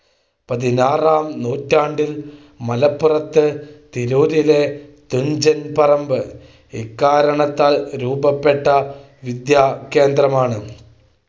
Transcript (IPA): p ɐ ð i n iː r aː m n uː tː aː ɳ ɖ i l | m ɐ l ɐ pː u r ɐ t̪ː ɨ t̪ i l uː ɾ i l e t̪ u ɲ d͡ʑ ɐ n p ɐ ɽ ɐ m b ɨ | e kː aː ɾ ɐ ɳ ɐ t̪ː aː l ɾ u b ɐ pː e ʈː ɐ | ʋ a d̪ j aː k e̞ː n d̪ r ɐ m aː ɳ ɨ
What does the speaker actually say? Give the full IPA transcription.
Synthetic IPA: p ɐ ð i n aː r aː m n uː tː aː ɳ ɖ i l | m ɐ l ɐ pː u r ɐ t̪ː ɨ t̪ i ɾ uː ɾ i l e t̪ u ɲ d͡ʑ ɐ n p ɐ r ɐ m b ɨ | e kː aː ɾ ɐ ɳ ɐ t̪ː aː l ɾ uː b ɐ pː e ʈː ɐ | ʋ i d̪ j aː k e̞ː n d̪ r ɐ m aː ɳ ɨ

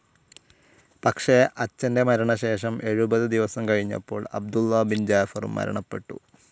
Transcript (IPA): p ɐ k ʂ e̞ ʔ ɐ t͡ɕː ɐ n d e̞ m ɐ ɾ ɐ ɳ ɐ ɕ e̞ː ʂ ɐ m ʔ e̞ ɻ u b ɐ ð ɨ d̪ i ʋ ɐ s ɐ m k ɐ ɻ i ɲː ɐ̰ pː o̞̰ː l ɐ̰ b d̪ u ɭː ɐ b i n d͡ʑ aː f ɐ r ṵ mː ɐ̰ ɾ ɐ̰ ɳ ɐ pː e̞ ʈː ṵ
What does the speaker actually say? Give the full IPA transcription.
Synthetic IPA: p ɐ k ʂ e̞ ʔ ɐ t͡ɕː ɐ n d e̞ m ɐ ɾ ɐ ɳ ɐ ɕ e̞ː ʂ ɐ m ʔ e̞ ɻ u b ɐ ð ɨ d̪ i ʋ ɐ s ɐ m k ɐ ɻ i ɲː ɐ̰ pː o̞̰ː ɭ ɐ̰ b d̪ u lː ɐ b i n d͡ʑ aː f ɐ r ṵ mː ɐ̰ ɾ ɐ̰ ɳ ɐ pː e̞ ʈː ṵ

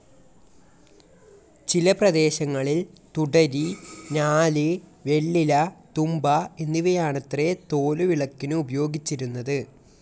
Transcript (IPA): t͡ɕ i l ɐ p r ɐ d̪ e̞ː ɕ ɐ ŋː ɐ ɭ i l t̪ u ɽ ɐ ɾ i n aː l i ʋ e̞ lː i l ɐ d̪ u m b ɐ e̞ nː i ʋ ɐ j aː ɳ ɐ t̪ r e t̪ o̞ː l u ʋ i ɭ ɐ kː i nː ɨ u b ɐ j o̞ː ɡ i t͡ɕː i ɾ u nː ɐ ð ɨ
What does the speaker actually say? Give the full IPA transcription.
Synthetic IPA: t͡ɕ i l ɐ p r ɐ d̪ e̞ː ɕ ɐ ŋː ɐ ɭ i l t̪ u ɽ ɐ ɾ i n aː l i ʋ e̞ ɭː i l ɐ t̪ u m b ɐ e̞ nː i ʋ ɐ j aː ɳ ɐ t̪ r e t̪ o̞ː l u ʋ i ɭ ɐ kː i n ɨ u b ɐ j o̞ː ɡ i t͡ɕː i ɾ u nː ɐ ð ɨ

